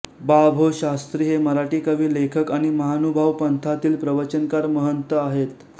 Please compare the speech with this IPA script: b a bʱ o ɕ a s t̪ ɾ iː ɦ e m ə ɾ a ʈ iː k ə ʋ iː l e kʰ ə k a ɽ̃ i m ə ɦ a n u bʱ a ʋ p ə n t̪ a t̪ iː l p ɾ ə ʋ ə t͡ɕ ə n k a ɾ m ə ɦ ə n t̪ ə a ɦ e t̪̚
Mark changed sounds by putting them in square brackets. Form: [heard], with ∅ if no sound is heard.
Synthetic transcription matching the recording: b a bʱ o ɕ a s t̪ ɾ iː ɦ e m ə ɾ a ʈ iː k ə ʋ iː l e kʰ ə k a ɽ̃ i m ə ɦ a n u bʱ a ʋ p ə n [t̪ʰ] a t̪ iː l p ɾ ə ʋ ə t͡ɕ ə n k a ɾ m ə ɦ ə n t̪ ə a ɦ e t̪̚